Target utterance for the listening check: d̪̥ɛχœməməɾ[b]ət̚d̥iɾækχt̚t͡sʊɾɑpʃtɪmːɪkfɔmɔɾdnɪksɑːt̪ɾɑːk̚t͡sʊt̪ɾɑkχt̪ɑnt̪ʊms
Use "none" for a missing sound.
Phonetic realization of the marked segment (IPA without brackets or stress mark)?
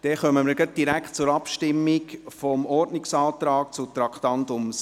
ɡ